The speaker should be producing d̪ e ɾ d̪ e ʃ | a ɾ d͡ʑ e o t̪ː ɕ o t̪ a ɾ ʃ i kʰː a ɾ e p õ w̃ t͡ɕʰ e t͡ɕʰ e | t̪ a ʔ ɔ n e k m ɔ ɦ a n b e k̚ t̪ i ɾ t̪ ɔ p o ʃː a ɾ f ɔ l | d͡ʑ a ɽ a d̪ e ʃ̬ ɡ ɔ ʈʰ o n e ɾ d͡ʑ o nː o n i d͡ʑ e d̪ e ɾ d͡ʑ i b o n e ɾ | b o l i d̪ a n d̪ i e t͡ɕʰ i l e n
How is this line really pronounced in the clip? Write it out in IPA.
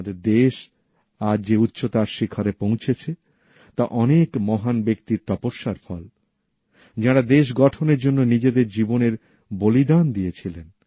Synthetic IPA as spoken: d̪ e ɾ d̪ e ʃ | a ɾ d͡ʑ e u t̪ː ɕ o t̪ a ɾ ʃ i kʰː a ɾ e p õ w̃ t͡ɕʰ e t͡ɕʰ e | t̪ a ʔ ɔ n e k m ɔ ɦ a n b e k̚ t̪ i ɾ t̪ ɔ p o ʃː a ɾ f ɔ l | d͡ʑ a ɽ a d̪ e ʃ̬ ɡ ɔ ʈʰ o n e ɾ d͡ʑ o nː o n i d͡ʑ e d̪ e ɾ d͡ʑ i b o n e ɾ | b o l i d̪ a n d̪ i e t͡ɕʰ i l e n